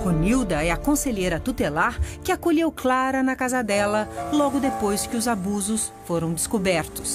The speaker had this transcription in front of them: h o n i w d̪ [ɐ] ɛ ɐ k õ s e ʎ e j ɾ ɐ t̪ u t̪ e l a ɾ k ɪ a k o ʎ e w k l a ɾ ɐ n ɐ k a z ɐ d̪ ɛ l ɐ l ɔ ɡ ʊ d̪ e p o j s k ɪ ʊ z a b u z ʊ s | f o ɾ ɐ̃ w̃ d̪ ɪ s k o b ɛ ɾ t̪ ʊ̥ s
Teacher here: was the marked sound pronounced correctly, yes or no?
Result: yes